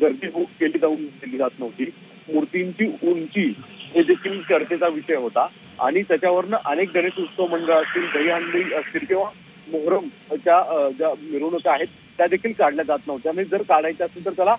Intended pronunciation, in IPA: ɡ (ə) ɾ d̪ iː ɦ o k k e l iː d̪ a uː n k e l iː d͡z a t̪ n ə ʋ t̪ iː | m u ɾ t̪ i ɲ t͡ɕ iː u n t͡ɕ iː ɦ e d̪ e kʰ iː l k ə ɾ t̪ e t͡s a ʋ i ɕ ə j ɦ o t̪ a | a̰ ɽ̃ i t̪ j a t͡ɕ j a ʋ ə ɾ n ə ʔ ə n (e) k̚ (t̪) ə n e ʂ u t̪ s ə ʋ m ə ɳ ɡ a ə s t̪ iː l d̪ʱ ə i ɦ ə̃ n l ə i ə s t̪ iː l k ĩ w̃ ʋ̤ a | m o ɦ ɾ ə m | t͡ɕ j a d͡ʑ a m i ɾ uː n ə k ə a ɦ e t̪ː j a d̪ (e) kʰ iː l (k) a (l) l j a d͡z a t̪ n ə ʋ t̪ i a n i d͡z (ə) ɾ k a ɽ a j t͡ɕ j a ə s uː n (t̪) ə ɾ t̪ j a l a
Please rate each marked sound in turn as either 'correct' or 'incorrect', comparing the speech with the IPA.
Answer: correct, correct, incorrect, correct, correct, incorrect, correct, correct

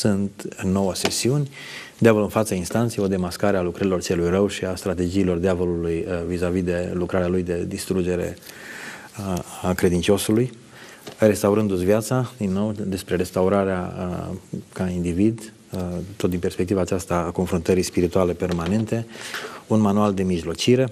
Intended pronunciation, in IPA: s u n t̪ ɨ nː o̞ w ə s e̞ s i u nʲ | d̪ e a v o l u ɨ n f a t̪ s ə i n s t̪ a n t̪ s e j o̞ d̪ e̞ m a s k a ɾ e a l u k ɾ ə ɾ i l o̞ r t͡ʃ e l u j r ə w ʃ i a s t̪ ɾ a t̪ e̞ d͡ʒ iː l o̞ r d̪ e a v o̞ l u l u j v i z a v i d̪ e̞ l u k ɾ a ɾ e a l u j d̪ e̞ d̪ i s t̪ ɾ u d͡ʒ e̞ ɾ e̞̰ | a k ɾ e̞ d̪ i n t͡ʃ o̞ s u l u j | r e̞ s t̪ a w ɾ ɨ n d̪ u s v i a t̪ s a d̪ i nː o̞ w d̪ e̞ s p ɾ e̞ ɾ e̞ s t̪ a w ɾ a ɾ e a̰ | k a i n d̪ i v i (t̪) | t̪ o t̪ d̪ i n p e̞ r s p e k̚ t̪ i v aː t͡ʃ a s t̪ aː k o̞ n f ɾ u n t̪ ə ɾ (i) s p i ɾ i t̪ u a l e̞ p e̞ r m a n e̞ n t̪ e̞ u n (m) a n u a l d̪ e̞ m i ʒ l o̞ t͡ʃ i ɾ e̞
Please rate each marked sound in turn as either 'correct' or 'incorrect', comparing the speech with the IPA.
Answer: incorrect, correct, correct

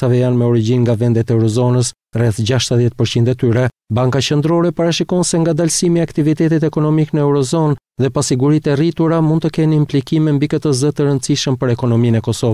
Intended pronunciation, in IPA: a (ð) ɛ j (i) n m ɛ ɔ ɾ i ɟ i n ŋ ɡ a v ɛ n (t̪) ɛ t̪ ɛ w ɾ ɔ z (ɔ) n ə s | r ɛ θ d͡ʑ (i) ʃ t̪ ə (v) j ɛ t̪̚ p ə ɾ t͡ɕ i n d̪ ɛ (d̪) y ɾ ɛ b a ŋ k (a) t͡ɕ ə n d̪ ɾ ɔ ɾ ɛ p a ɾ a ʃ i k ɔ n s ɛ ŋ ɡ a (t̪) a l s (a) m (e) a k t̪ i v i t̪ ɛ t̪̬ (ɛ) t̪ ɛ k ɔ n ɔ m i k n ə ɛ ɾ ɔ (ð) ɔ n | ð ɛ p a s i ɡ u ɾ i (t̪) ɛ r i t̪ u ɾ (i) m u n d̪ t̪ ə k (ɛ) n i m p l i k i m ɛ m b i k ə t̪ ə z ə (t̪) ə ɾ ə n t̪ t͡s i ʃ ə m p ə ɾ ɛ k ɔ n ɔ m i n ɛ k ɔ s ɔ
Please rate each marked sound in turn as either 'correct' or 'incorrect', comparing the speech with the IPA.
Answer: incorrect, incorrect, incorrect, correct, incorrect, incorrect, incorrect, correct, incorrect, incorrect, incorrect, incorrect, incorrect, correct, incorrect, correct, correct

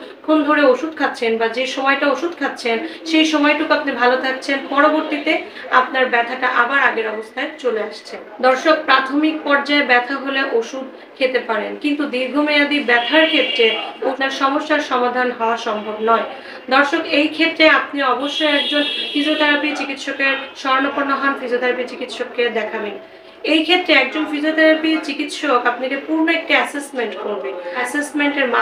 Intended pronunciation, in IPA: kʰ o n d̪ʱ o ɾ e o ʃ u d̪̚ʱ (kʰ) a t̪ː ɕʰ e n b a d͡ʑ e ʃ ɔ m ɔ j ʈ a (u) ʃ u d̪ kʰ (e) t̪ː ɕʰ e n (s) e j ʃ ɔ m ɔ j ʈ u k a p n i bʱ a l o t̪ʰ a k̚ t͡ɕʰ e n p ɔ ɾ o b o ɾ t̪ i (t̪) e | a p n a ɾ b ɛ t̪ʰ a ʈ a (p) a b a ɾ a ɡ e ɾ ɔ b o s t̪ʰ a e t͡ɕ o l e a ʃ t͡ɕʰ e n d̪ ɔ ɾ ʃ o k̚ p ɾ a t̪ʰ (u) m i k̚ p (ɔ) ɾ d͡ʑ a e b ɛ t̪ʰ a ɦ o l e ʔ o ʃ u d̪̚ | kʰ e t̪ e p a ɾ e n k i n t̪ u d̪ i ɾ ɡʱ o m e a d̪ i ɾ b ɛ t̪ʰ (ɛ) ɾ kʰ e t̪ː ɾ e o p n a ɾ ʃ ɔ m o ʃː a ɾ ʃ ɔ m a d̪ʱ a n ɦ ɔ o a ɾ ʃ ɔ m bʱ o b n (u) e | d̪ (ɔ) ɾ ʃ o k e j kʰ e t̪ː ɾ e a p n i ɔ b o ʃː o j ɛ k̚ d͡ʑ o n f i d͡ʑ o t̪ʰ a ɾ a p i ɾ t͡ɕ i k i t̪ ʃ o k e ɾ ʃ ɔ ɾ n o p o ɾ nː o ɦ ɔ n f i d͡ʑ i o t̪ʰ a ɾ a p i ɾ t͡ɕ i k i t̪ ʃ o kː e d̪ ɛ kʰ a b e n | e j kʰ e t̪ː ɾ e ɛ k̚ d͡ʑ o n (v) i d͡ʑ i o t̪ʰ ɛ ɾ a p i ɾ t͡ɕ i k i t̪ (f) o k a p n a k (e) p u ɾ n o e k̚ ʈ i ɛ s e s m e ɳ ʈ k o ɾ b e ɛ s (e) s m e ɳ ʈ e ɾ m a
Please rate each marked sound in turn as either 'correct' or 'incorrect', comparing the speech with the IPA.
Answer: correct, incorrect, incorrect, incorrect, correct, incorrect, incorrect, correct, incorrect, incorrect, correct, incorrect, incorrect, correct, correct

